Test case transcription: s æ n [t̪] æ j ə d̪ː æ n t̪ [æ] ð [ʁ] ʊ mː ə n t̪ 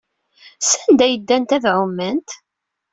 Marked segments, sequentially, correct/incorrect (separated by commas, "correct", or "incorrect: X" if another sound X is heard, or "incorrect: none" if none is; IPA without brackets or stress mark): incorrect: d̪, correct, incorrect: ʕ